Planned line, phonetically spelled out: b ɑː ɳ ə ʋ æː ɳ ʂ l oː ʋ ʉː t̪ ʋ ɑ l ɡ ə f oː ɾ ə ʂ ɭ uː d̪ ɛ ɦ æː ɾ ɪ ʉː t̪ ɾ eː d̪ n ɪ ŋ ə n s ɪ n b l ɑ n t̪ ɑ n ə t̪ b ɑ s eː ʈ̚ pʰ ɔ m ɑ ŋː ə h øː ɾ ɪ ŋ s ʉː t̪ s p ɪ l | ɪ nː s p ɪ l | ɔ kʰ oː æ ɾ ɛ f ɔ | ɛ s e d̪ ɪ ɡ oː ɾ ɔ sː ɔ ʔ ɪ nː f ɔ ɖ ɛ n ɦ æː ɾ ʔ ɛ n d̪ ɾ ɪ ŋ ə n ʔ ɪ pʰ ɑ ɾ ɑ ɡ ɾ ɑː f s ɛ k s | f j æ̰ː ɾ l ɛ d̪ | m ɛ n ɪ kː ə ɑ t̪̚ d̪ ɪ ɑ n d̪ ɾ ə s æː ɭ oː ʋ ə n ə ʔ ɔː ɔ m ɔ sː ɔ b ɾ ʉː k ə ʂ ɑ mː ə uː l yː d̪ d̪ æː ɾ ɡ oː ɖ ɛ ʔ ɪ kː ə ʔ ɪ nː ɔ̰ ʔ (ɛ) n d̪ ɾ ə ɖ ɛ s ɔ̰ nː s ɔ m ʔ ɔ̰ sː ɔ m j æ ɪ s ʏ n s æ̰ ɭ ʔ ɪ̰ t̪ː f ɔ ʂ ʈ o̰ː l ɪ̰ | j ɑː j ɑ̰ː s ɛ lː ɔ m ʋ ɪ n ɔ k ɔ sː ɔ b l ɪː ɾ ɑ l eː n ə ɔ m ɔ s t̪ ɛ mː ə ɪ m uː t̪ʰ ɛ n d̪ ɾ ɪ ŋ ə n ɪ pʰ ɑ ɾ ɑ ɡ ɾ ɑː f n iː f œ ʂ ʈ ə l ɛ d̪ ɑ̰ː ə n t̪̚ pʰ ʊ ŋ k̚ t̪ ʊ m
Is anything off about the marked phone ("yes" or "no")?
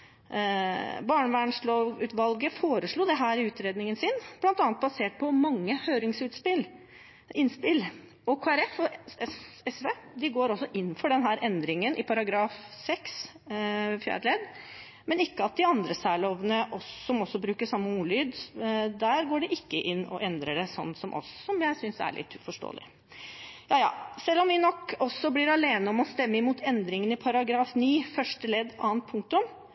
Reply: no